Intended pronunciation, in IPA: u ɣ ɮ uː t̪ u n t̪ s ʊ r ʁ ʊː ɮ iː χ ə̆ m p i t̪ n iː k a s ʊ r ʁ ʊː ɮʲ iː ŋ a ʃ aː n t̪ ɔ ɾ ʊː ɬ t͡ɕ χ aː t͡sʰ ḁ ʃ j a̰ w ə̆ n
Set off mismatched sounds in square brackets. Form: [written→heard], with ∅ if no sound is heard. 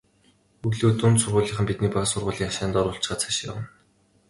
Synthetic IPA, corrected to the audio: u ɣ ɮ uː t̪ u n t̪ s ʊ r ʁ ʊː ɮ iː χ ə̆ m p i t̪ n iː [k→p] a s ʊ r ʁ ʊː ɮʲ iː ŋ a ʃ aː n t̪ ɔ ɾ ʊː ɬ t͡ɕ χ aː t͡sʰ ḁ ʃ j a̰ w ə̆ n